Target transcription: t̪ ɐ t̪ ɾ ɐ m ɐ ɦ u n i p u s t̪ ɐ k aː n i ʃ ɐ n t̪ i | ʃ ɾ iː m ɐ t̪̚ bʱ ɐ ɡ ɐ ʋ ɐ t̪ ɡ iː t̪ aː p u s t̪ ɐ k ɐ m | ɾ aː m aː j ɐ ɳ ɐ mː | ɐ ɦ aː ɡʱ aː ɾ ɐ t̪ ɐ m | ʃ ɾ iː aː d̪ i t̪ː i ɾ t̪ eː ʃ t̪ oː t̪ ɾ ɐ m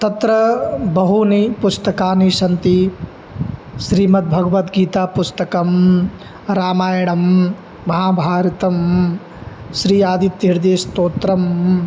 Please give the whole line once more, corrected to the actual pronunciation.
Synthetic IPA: t̪ ɐ t̪ ɾ ɐ b ɐ ɦ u n i p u s t̪ ɐ k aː n i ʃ ɐ n t̪ i | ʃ ɾ iː m ɐ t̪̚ bʱ ɐ ɡ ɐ ʋ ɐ t̪ ɡ iː t̪ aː p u s t̪ ɐ k ɐ m | ɾ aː m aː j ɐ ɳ ɐ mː | ɐ ɦ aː bʱ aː ɾ ɐ t̪ ɐ m | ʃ ɾ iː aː d̪ i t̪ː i ɾ d̪ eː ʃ t̪ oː t̪ ɾ ɐ m

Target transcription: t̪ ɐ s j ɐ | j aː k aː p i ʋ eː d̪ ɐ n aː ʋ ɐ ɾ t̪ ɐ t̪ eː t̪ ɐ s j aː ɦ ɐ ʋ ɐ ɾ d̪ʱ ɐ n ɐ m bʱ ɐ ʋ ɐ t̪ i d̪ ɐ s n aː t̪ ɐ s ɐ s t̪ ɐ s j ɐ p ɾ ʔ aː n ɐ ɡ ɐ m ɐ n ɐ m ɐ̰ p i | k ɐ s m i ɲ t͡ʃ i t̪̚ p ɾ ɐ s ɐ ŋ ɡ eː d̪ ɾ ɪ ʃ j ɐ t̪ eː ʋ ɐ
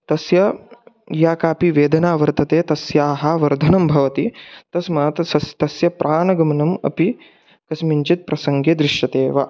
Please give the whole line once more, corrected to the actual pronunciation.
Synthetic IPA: t̪ ɐ s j ɐ | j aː k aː p i ʋ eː d̪ ɐ n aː ʋ ɐ ɾ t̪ ɐ t̪ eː t̪ ɐ s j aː ɦ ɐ ʋ ɐ ɾ d̪ʱ ɐ n ɐ m bʱ ɐ ʋ ɐ t̪ i t̪ ɐ s m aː t̪ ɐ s ɐ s t̪ ɐ s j ɐ p ɾ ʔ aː n ɐ ɡ ɐ m ɐ n ɐ m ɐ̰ p i | k ɐ s m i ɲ t͡ʃ i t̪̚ p ɾ ɐ s ɐ ŋ ɡ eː d̪ ɾ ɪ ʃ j ɐ t̪ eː ʋ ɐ

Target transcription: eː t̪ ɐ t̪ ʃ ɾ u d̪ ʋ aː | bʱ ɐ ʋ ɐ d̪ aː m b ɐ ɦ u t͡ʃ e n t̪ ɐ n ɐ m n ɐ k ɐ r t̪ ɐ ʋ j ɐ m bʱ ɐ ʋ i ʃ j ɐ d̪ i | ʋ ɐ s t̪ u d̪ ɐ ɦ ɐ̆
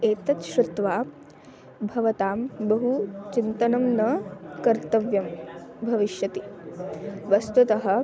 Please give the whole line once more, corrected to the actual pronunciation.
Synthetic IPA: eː t̪ ɐ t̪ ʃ ɾ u t̪ ʋ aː | bʱ ɐ ʋ ɐ t̪ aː m b ɐ ɦ u t͡ʃ i n t̪ ɐ n ɐ m n ɐ k ɐ ɾ t̪ ɐ ʋ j ɐ m bʱ ɐ ʋ i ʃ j ɐ t̪ i | ʋ ɐ s t̪ u t̪ ɐ ɦ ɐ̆

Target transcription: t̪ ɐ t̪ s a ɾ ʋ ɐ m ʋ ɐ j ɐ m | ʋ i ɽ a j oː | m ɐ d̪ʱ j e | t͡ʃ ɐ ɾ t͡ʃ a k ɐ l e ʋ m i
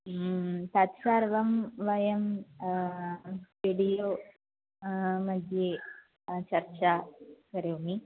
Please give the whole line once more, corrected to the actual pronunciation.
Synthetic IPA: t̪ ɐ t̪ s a ɾ ʋ ɐ m ʋ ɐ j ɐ m | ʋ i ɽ i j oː | m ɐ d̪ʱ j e | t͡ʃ ɐ ɾ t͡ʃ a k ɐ ɾ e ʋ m i

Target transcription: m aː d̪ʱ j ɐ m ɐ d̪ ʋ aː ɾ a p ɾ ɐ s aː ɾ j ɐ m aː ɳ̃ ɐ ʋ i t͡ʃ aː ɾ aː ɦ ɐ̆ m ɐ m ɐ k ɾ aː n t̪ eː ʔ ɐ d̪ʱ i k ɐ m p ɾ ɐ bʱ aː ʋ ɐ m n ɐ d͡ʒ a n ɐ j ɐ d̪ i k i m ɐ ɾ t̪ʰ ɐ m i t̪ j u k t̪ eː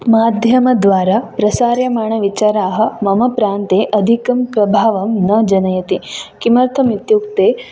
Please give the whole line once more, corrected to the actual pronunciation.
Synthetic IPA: m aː d̪ʱ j ɐ m ɐ d̪ ʋ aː ɾ a p ɾ ɐ s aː ɾ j ɐ m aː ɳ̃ ɐ ʋ i t͡ʃ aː ɾ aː ɦ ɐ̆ m ɐ m ɐ p ɾ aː n t̪ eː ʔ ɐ d̪ʱ i k ɐ m p ɾ ɐ bʱ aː ʋ ɐ m n ɐ d͡ʒ ɐ n ɐ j ɐ t̪ i k i m ɐ ɾ t̪ʰ ɐ m i t̪ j u k t̪ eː

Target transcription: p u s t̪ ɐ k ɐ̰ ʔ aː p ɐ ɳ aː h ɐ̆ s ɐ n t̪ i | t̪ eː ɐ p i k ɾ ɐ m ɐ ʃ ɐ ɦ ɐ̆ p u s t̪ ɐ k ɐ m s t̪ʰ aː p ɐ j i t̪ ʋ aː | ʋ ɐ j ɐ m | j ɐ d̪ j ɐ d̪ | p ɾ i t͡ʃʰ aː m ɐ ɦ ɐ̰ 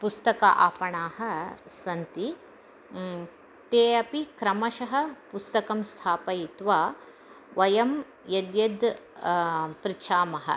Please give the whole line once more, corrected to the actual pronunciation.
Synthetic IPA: p u s t̪ ɐ k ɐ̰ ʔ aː p ɐ ɳ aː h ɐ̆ s ɐ n t̪ i | t̪ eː ɐ p i k ɾ ɐ m ɐ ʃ ɐ ɦ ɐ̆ p u s t̪ ɐ k ɐ m s t̪ʰ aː p ɐ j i t̪ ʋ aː | ʋ ɐ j ɐ m | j ɐ d̪ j ɐ d̪ | p ɾ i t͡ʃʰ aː m ɐ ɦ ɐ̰

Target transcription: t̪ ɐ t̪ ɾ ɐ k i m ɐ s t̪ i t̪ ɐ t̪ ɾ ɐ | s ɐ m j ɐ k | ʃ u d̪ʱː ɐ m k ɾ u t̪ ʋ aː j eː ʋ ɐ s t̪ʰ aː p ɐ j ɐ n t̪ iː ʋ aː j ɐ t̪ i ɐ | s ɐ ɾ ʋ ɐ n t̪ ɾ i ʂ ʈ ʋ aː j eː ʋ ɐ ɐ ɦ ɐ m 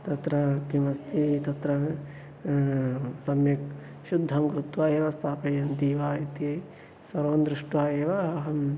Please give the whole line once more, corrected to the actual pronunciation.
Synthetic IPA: t̪ ɐ t̪ ɾ ɐ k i m ɐ s t̪ i t̪ ɐ t̪ ɾ ɐ | s ɐ m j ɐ k | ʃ u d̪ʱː ɐ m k ɾ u t̪ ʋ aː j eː ʋ ɐ s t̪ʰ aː p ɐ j ɐ n t̪ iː ʋ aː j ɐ t̪ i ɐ | s ɐ ɾ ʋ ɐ n d̪ ɾ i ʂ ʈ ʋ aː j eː ʋ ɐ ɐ ɦ ɐ m

